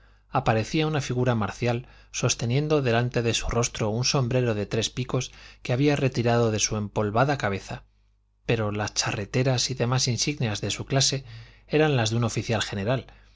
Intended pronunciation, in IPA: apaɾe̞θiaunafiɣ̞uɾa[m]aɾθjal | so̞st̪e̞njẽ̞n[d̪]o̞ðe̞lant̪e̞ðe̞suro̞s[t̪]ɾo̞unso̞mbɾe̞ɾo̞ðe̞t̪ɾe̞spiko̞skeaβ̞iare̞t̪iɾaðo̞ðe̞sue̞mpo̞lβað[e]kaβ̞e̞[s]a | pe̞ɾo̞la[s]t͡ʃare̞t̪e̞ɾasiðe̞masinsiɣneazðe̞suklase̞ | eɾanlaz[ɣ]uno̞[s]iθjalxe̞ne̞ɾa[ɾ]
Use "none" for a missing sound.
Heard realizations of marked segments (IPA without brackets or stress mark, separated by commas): m, d̪, t̪, a, θ, s, ð, f, l